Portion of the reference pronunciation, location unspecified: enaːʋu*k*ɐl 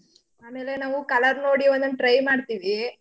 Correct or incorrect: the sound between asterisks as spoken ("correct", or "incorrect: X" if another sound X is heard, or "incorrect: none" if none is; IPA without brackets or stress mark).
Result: correct